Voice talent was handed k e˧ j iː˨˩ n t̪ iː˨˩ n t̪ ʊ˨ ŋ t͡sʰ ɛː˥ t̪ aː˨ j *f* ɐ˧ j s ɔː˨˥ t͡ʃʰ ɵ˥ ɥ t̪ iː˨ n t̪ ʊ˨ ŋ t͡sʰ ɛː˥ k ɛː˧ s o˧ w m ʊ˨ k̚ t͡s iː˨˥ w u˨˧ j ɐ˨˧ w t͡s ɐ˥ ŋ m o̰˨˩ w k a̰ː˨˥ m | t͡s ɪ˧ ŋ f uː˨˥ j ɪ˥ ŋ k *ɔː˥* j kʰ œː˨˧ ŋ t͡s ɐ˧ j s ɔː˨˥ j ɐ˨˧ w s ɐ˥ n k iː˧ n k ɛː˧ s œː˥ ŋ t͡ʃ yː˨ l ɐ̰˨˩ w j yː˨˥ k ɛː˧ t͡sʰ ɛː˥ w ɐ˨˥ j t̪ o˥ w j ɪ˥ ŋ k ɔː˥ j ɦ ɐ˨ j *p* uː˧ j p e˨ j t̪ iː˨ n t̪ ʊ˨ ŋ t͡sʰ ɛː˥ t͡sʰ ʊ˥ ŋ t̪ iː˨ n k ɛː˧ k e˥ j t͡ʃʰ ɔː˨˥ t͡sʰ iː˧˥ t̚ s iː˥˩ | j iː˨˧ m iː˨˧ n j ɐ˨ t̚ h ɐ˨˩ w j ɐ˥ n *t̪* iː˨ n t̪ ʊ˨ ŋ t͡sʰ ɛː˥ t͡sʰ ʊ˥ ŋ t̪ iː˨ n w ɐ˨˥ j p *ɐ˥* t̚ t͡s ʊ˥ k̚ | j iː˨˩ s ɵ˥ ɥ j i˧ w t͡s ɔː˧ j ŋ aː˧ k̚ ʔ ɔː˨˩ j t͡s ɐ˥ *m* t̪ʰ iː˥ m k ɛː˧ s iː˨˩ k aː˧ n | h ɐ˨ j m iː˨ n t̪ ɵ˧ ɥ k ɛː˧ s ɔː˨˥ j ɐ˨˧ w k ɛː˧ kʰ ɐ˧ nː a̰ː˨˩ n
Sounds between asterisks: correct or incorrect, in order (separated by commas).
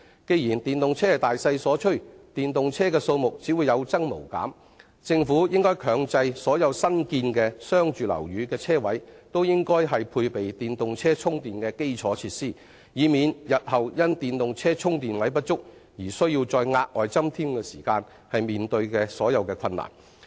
incorrect, correct, incorrect, correct, correct, correct